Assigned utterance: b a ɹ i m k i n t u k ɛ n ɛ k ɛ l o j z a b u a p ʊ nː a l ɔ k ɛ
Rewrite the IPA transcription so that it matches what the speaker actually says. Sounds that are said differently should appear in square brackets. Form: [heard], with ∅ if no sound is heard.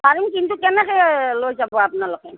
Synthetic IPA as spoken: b a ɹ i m k i n t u k ɛ n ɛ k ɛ l o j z a b [ɔ] a p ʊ [n] a l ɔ k ɛ